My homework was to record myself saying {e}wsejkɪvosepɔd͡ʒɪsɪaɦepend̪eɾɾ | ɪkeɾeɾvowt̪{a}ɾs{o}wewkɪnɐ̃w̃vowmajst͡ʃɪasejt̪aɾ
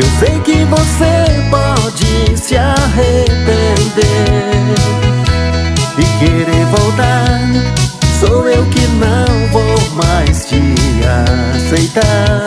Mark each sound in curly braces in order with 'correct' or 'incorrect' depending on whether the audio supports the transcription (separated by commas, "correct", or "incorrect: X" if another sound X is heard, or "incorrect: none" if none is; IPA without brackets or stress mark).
correct, correct, correct